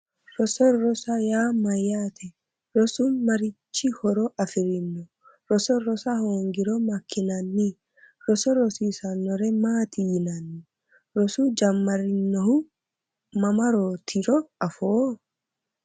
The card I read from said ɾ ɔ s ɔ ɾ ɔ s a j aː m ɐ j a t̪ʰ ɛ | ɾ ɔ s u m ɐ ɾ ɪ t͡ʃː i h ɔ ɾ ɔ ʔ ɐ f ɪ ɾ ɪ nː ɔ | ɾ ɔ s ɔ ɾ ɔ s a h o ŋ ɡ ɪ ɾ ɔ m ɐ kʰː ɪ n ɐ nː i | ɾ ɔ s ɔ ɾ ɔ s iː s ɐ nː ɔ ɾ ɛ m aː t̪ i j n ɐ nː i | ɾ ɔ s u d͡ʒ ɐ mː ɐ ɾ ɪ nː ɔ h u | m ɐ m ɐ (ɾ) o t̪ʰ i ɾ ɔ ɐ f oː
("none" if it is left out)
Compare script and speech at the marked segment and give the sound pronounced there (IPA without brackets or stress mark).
ɾ